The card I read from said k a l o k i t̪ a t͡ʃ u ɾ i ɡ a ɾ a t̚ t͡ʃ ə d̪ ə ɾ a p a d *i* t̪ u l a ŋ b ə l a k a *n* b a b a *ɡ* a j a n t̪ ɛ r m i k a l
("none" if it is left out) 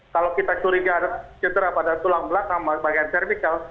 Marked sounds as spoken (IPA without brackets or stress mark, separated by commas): a, ŋ, ɡ